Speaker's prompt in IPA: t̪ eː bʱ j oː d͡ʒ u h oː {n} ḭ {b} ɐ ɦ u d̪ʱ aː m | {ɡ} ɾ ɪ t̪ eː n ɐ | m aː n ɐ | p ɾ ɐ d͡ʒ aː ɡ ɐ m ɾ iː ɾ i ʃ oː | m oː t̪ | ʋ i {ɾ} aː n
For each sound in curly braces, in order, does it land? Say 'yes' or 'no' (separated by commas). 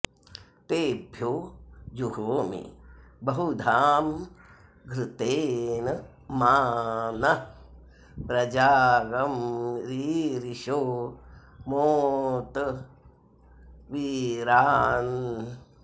no, yes, yes, yes